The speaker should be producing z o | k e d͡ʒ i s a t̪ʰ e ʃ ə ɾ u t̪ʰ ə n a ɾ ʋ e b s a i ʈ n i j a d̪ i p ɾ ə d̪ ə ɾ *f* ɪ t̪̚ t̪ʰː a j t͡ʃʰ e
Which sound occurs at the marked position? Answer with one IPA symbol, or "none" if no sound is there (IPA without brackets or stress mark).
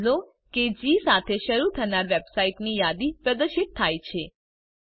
ʃ